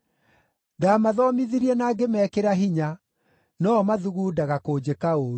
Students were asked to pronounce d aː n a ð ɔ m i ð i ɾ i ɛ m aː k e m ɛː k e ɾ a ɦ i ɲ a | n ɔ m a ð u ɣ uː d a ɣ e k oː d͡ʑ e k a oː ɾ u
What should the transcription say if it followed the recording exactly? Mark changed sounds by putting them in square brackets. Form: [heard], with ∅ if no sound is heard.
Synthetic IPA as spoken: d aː [m] a ð ɔ m i ð i ɾ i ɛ [n] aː [ɡ] e m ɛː k e ɾ a ɦ i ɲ a | n ɔ m a ð u ɣ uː d a ɣ [a] k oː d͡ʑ e k a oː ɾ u